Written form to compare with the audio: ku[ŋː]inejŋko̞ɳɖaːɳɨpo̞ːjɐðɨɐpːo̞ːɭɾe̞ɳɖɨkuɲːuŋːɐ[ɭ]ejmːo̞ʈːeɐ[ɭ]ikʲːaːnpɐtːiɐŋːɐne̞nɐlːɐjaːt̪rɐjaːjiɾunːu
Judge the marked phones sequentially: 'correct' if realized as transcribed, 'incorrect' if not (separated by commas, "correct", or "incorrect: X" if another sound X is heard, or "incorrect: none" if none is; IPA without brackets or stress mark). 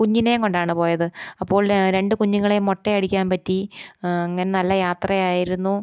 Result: incorrect: ɲː, correct, incorrect: ɽ